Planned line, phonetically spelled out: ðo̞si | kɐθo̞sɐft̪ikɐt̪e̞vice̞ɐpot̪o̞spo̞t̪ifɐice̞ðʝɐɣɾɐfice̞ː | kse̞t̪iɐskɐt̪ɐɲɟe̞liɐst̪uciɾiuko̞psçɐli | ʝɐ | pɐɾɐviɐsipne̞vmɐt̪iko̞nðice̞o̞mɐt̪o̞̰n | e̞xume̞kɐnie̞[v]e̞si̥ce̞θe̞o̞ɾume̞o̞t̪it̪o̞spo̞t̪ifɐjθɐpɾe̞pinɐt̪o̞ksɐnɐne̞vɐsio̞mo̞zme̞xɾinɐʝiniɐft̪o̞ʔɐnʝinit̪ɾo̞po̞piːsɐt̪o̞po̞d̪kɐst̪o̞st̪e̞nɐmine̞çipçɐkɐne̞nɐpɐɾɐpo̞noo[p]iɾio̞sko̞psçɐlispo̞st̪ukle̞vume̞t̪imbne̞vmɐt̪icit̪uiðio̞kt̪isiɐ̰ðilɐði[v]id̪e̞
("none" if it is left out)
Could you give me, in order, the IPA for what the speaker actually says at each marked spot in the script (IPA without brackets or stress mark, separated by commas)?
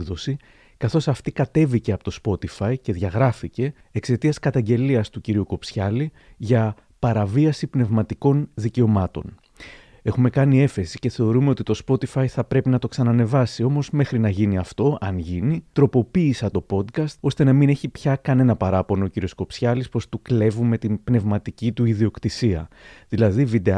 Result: f, c, v